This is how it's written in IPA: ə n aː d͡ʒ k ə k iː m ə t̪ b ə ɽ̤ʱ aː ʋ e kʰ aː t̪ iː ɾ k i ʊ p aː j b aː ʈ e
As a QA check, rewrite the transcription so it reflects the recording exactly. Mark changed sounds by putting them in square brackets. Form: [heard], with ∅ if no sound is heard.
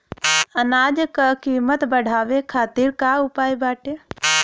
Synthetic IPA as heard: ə n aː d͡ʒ k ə k iː m ə t̪ b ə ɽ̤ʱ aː ʋ e kʰ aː t̪ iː ɾ k [a] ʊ p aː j b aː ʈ e